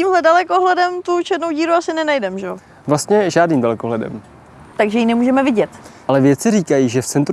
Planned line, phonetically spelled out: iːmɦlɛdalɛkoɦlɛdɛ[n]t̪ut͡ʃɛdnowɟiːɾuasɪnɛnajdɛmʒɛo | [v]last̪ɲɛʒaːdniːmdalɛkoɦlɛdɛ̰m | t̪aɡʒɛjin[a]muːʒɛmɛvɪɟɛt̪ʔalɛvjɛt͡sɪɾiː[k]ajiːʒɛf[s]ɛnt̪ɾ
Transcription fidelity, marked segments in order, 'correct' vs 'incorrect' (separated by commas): incorrect, correct, incorrect, correct, incorrect